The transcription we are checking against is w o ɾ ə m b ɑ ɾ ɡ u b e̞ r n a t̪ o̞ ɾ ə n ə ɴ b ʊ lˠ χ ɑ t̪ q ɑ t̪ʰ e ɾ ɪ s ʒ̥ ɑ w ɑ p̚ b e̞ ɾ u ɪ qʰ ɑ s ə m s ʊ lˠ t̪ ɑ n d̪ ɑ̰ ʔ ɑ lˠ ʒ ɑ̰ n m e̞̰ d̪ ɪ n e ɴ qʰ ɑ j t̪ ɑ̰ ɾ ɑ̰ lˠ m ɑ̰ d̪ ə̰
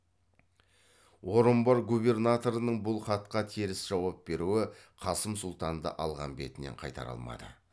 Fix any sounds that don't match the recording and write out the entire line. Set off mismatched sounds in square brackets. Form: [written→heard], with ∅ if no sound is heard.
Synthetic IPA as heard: w o ɾ ə m b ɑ ɾ ɡ u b e̞ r n a t̪ o̞ ɾ ə n ə ɴ b ʊ lˠ χ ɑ t̪ q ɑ t̪ʰ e ɾ ɪ s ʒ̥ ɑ w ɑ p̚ b e̞ ɾ u ɪ qʰ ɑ s ə m s ʊ lˠ t̪ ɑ n d̪ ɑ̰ ʔ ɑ lˠ [ʒ→ʁ] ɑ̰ n [m→b] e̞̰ [d̪→t̪] ɪ n e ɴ qʰ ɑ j t̪ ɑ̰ ɾ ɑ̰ lˠ m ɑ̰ d̪ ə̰